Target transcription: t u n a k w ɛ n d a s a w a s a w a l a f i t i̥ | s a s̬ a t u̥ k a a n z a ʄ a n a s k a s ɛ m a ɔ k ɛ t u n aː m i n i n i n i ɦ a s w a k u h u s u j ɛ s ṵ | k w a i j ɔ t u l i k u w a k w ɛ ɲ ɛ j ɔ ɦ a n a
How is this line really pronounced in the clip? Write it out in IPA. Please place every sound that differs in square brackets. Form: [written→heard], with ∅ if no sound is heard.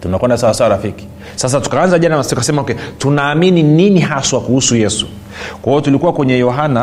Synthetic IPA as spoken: t u n a k w ɛ n d a s a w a s a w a [l→ɾ] a f i [t→k] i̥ | s a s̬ a t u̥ k a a n z a ʄ a n a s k a s ɛ m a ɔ k ɛ t u n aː m i n i n i n i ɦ a s w a k u h u s u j ɛ s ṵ | k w a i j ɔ t u l i k u w a k w ɛ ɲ ɛ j ɔ ɦ a n a